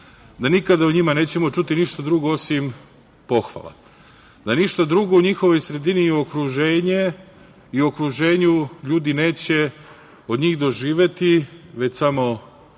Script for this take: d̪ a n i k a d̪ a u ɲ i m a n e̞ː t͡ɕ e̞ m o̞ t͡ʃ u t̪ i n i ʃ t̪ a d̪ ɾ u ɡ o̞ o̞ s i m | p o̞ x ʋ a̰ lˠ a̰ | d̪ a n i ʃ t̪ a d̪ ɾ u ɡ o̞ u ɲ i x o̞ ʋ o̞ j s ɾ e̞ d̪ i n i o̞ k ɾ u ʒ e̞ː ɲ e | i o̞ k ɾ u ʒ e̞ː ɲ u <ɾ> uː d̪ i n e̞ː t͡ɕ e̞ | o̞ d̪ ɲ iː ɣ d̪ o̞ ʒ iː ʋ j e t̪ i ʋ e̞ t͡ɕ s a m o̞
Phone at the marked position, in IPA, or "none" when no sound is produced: ʎ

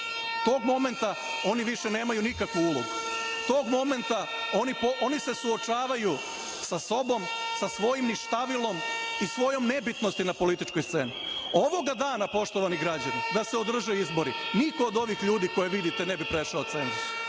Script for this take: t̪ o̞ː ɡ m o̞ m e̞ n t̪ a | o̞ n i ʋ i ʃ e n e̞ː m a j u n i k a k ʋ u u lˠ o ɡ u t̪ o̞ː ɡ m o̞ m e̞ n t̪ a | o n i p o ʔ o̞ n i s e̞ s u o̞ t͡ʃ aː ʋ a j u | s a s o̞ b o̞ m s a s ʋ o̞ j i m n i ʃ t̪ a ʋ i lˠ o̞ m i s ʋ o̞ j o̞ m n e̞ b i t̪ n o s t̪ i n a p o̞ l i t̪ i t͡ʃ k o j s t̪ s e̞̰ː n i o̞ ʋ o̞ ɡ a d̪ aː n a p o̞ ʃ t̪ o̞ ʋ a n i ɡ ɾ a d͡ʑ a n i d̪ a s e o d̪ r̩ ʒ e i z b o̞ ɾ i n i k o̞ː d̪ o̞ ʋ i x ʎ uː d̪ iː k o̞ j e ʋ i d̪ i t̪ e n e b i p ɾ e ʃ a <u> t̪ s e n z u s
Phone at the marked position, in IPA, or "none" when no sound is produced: o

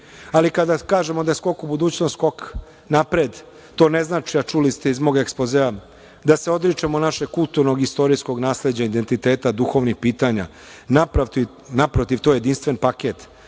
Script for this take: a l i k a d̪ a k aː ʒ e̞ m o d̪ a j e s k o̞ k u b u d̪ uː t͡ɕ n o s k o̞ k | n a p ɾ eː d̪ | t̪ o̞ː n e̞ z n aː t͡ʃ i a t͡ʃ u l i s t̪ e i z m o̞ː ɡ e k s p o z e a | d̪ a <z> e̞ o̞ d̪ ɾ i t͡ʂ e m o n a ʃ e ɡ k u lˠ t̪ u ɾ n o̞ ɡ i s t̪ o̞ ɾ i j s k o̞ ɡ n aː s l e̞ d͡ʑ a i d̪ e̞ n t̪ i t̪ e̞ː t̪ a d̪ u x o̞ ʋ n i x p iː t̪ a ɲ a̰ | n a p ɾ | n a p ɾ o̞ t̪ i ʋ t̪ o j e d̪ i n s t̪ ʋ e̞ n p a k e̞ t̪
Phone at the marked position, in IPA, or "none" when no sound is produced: s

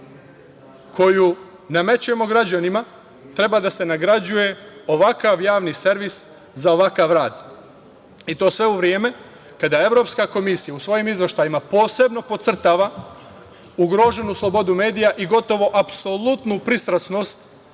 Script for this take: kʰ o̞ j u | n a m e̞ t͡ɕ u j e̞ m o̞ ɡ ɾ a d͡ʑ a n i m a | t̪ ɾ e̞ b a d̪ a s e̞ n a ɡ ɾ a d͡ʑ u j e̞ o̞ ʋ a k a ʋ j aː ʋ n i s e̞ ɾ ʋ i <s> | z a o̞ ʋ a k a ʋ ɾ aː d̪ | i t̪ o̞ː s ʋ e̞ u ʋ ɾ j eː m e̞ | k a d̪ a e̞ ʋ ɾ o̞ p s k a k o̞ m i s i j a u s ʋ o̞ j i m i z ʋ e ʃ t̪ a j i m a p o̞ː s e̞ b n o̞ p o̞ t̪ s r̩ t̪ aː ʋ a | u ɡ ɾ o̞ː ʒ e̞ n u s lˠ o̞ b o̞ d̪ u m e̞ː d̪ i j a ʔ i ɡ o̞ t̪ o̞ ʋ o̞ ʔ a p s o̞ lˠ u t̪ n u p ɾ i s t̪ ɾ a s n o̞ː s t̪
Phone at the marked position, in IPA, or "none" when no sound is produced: s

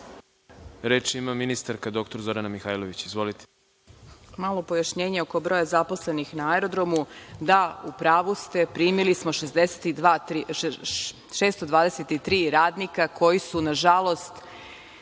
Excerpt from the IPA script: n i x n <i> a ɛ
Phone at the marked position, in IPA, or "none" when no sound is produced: a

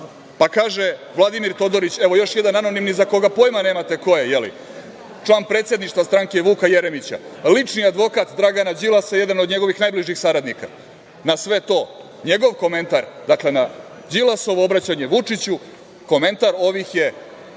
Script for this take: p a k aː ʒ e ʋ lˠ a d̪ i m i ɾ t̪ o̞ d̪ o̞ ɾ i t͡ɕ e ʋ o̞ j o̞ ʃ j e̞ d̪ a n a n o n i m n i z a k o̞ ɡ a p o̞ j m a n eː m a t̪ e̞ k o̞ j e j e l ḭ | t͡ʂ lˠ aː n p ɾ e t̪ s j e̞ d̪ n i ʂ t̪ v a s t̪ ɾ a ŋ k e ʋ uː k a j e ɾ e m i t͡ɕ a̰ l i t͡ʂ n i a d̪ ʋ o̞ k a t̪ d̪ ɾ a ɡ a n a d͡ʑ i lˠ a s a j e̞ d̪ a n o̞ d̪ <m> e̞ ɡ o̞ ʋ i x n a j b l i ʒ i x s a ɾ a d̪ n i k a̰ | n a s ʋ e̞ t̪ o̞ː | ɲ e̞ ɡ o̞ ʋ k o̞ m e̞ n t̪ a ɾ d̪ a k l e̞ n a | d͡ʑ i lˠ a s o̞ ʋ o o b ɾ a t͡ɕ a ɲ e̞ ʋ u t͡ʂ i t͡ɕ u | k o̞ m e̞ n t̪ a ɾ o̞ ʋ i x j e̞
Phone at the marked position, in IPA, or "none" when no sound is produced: ɲ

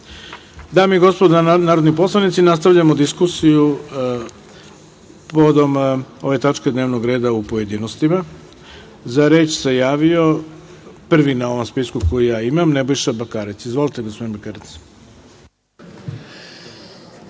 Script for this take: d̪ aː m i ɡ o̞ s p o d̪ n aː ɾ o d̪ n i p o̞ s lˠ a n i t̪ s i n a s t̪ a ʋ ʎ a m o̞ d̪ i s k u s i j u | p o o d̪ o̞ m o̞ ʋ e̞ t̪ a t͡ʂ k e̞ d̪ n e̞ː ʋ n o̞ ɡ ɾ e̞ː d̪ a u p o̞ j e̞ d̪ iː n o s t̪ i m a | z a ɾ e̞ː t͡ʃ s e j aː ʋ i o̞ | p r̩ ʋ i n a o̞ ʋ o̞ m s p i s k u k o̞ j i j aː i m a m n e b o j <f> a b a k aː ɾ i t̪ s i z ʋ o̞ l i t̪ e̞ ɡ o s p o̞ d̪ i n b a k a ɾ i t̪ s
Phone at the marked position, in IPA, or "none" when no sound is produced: ʃ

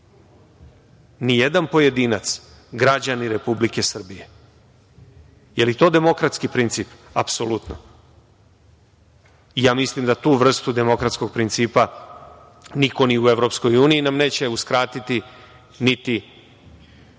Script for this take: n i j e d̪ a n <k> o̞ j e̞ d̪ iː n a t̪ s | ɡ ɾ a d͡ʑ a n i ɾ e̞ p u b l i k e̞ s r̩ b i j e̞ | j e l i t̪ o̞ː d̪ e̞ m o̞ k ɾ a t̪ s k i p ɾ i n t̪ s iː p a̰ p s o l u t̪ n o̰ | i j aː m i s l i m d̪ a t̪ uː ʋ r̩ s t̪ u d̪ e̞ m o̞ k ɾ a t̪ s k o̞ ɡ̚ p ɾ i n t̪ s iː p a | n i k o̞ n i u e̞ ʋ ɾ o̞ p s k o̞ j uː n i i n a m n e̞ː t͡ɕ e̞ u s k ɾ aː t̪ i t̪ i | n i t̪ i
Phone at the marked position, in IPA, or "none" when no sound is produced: p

